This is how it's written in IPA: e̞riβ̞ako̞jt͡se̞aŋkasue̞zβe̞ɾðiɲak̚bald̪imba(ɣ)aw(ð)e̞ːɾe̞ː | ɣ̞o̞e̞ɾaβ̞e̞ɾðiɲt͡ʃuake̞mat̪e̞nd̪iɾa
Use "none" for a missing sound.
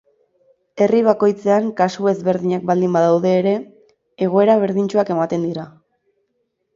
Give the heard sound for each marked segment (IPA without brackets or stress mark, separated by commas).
ð, ð